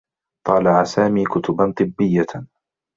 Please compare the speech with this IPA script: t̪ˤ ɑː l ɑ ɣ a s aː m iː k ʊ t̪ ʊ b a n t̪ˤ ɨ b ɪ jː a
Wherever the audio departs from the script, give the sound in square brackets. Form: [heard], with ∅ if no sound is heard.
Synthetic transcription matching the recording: t̪ˤ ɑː l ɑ [ʕ] a s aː m iː k ʊ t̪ ʊ b a n t̪ˤ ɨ [bː] ɪ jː a